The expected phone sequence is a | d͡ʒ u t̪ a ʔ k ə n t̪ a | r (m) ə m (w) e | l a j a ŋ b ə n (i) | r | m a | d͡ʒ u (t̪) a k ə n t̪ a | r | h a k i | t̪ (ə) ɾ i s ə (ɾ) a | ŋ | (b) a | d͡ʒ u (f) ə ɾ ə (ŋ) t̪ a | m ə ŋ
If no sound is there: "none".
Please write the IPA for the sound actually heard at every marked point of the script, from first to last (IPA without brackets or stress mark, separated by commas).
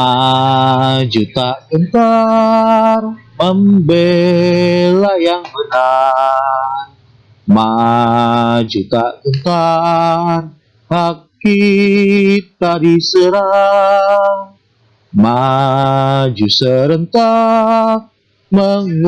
m, b, a, t̪, a, ɾ, m, s, n